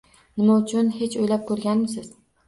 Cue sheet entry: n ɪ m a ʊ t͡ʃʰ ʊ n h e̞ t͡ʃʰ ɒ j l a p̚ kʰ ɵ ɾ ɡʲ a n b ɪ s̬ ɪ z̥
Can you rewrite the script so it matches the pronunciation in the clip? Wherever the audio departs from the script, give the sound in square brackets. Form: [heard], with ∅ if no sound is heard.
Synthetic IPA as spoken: n ɪ m a ʊ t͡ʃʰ ʊ n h e̞ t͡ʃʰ [o] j l a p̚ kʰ ɵ ɾ ɡʲ a n [m] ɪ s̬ ɪ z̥